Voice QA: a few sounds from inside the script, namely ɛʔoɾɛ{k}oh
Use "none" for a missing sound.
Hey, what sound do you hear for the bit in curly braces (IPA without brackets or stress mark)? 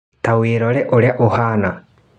ʔ